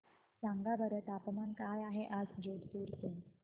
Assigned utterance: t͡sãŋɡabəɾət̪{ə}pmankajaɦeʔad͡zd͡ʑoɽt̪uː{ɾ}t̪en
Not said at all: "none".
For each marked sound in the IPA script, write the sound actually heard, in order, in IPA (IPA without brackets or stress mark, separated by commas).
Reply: a, ɾ